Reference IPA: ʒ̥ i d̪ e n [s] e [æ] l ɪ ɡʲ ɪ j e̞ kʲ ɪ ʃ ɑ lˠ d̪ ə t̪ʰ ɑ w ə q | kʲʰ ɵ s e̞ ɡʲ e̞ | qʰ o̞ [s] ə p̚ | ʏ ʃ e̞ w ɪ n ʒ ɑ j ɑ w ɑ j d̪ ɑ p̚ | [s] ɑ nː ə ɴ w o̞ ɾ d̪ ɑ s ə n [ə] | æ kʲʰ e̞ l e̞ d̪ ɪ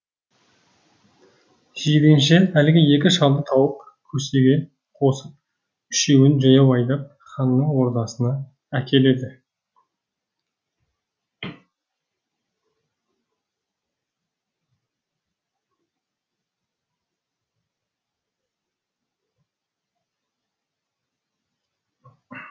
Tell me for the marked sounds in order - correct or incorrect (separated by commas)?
incorrect, correct, correct, incorrect, incorrect